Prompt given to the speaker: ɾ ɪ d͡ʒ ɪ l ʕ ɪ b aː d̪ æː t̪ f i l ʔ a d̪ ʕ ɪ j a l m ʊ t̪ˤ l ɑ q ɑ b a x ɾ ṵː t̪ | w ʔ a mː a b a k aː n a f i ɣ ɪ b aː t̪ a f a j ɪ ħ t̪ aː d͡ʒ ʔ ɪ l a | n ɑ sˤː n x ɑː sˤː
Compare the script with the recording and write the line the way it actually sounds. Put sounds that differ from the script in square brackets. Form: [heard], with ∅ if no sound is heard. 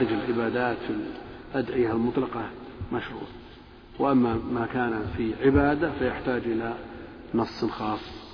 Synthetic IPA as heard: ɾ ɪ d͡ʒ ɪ l ʕ ɪ b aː d̪ [aː] t̪ f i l ʔ a d̪ ʕ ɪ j a l m ʊ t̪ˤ l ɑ q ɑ [m] a [ʃ] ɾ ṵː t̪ | w ʔ a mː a [m] a k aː n a f i [ʕ] ɪ b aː [d̪] a f a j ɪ ħ t̪ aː d͡ʒ ʔ ɪ l a | n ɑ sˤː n x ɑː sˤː